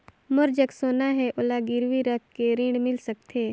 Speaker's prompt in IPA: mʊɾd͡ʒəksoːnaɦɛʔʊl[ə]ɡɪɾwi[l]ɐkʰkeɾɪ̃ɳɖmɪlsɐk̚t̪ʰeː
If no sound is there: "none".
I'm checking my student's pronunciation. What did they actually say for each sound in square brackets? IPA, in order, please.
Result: a, ɾ

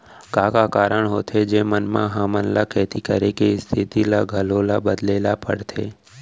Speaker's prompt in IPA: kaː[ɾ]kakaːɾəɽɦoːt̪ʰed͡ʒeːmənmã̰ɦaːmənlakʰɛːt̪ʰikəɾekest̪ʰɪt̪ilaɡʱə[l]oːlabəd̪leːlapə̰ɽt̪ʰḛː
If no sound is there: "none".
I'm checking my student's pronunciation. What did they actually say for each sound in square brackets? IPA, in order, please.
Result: none, l

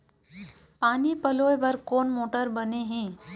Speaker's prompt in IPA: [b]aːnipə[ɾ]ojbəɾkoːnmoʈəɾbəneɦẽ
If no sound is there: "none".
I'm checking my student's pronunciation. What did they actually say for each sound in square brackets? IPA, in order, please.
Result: p, l

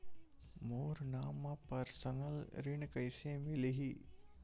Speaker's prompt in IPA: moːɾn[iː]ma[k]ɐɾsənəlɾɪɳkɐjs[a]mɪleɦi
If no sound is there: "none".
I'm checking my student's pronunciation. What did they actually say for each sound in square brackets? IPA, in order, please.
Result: aː, p, e

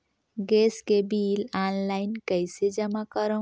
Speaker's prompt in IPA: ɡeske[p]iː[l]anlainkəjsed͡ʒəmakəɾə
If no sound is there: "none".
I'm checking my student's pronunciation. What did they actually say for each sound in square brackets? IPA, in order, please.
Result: b, l

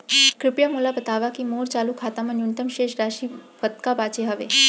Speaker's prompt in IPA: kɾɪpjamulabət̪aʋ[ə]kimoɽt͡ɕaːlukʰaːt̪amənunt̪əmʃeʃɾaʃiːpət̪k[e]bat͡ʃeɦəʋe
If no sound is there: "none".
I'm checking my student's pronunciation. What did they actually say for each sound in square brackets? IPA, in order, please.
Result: a, a

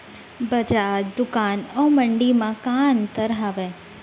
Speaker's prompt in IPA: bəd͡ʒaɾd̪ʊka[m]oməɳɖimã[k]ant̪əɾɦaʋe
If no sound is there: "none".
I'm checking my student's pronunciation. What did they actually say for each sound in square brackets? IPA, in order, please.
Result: n, k

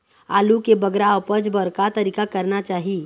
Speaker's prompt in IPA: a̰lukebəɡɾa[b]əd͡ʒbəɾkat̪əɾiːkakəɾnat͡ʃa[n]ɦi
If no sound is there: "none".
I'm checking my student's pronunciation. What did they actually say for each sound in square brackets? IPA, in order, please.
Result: p, none

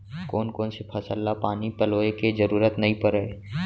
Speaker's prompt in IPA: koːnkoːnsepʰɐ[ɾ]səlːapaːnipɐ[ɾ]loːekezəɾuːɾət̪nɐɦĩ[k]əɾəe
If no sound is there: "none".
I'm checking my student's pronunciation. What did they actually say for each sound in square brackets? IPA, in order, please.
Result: none, none, p

